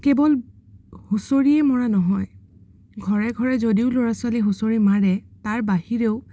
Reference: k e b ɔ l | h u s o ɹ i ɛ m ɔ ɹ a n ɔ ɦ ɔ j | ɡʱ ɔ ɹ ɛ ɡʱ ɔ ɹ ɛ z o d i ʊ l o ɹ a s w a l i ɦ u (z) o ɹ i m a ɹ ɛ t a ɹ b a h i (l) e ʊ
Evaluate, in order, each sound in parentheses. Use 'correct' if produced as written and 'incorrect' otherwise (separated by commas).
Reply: incorrect, incorrect